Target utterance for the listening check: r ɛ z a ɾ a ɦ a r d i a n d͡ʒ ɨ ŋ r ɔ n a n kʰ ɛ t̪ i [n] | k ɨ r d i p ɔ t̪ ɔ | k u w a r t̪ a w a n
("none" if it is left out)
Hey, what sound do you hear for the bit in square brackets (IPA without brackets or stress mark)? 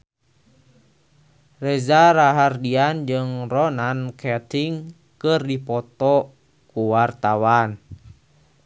ŋ